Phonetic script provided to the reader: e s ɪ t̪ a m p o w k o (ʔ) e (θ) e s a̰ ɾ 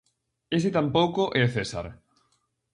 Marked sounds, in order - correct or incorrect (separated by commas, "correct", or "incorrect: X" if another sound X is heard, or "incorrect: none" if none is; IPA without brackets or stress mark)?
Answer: correct, correct